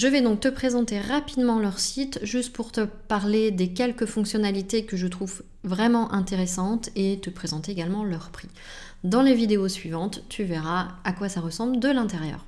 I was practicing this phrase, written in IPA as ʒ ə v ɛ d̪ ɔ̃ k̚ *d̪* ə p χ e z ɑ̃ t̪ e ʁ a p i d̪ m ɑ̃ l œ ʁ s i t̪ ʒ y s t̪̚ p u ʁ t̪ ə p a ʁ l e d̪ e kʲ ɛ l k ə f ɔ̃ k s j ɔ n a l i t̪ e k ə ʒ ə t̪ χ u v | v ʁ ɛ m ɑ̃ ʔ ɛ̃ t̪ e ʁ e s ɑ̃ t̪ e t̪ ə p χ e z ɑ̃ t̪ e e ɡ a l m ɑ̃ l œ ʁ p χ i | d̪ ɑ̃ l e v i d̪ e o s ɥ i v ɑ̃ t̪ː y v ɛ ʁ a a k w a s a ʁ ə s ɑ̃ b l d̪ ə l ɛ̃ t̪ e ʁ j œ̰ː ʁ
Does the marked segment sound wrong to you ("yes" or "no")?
yes